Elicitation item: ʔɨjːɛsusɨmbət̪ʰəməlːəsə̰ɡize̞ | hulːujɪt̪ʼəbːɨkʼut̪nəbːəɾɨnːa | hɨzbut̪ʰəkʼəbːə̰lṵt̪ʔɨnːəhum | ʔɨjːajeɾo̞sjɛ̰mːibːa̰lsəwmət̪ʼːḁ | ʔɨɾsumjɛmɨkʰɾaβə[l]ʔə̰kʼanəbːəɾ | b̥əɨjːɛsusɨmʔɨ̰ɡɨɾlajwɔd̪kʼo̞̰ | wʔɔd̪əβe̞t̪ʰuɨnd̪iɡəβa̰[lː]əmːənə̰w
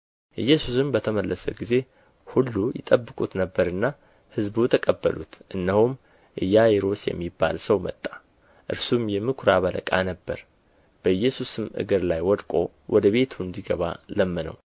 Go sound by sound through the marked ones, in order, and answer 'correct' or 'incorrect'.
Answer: correct, incorrect

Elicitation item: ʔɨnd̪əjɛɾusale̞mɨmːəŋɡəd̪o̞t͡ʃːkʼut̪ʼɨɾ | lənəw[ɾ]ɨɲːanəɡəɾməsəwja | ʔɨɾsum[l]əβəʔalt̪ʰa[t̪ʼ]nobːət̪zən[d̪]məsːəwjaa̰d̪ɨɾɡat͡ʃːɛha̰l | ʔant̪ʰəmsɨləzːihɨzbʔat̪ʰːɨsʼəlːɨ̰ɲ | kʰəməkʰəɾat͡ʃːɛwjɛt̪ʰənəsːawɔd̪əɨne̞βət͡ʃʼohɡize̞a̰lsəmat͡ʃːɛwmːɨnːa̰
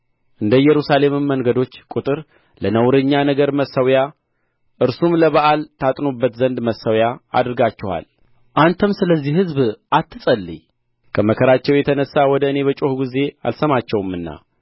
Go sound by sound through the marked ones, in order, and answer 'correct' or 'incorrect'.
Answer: correct, correct, correct, correct

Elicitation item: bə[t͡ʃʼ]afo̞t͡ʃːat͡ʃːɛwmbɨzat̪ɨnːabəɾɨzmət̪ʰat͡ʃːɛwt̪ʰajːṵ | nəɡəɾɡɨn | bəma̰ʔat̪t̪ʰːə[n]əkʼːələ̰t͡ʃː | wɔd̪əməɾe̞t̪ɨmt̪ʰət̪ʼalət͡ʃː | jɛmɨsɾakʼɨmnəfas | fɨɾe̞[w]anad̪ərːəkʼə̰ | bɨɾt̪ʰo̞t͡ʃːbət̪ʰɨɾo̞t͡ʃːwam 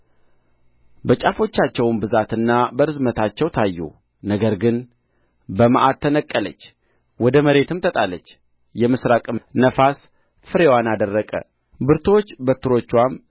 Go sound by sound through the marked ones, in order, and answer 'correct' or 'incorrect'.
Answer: correct, correct, correct

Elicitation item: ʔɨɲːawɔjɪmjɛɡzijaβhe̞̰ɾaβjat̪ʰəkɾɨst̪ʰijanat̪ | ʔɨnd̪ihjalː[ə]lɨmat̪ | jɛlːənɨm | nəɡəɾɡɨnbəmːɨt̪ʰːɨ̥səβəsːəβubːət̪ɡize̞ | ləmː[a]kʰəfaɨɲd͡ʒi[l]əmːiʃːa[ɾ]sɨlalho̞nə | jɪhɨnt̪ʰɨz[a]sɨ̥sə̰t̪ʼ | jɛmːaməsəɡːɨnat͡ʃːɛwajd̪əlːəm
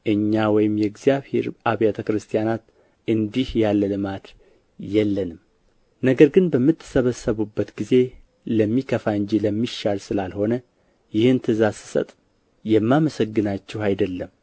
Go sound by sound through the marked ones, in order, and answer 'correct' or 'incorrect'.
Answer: correct, incorrect, correct, incorrect, correct

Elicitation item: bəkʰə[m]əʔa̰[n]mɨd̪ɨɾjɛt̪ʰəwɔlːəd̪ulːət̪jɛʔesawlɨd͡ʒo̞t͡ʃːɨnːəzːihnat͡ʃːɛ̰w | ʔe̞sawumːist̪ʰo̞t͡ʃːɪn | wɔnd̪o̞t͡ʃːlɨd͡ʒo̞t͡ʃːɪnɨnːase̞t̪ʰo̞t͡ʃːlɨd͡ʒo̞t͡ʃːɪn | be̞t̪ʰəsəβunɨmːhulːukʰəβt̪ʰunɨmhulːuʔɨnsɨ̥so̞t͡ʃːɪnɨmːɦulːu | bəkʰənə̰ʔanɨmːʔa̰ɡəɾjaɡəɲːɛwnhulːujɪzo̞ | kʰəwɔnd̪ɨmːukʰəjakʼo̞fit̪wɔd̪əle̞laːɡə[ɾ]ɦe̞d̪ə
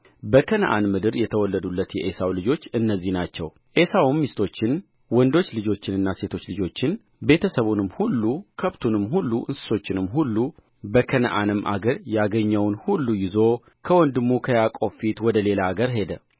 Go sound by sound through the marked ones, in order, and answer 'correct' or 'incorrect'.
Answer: incorrect, correct, correct

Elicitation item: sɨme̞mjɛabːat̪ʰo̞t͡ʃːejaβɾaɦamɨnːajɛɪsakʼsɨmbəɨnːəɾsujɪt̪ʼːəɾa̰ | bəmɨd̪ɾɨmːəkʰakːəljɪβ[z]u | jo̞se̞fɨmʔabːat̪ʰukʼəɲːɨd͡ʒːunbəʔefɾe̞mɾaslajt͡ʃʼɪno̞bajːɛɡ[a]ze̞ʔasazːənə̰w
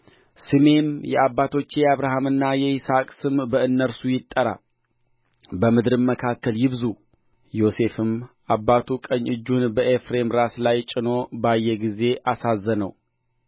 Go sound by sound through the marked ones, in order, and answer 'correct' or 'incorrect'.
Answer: correct, incorrect

